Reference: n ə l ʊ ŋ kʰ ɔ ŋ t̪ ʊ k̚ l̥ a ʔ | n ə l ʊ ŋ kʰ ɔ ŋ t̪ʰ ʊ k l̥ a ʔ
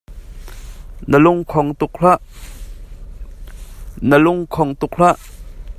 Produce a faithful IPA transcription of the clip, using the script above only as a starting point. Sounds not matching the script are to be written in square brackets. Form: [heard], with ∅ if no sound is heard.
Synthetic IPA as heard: n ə l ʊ ŋ kʰ ɔ ŋ t̪ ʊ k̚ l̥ a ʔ | n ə l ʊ ŋ kʰ ɔ ŋ [t̪] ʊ k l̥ a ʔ